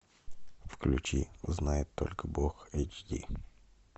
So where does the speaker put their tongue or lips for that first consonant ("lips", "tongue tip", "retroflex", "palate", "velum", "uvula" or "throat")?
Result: lips